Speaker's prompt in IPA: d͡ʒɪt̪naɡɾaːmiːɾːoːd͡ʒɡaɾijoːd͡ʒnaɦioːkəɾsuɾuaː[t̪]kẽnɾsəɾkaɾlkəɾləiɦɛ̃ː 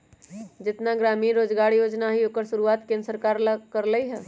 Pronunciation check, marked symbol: correct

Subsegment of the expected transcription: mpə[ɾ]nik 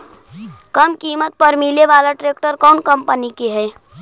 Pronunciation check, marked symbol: incorrect: none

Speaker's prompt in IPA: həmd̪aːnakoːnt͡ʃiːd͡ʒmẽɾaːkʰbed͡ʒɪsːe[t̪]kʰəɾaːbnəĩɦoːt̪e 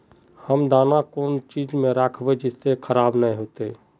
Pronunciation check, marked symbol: incorrect: none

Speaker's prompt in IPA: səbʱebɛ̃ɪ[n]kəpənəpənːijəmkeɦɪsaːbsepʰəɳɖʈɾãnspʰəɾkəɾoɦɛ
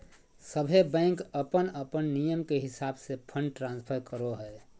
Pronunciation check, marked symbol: incorrect: ŋ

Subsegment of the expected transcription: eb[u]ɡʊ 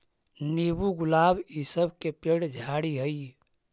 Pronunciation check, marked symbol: correct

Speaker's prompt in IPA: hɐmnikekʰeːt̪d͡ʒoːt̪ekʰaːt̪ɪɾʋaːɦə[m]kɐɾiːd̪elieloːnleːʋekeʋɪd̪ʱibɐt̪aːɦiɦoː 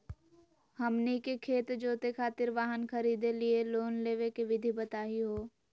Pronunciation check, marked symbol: incorrect: n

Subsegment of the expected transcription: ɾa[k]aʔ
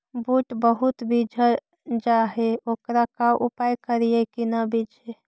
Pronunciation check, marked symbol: correct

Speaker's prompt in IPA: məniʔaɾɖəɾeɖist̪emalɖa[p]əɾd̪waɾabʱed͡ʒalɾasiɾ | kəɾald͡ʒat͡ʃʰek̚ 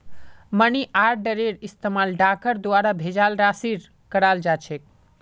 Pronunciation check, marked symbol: incorrect: k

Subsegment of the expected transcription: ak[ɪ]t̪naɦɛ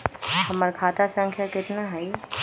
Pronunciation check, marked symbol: correct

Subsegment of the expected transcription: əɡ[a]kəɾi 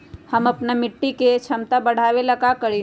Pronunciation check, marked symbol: correct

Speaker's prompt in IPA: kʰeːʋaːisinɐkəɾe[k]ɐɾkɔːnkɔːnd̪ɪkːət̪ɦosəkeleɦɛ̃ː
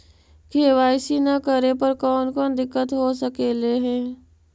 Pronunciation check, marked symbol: incorrect: p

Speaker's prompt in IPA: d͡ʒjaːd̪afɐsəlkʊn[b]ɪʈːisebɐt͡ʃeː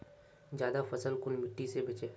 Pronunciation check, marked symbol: incorrect: m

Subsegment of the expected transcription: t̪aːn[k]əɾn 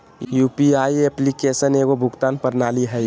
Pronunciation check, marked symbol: incorrect: p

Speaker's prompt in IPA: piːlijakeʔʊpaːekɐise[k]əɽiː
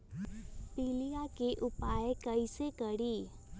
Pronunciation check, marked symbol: correct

